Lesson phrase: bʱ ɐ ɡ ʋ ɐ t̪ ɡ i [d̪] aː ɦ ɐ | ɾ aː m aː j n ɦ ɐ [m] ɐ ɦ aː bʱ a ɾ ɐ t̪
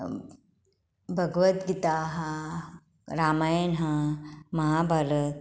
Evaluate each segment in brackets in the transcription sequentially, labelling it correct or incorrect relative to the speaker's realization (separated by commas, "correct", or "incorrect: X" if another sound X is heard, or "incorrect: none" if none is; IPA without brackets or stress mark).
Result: incorrect: t̪, correct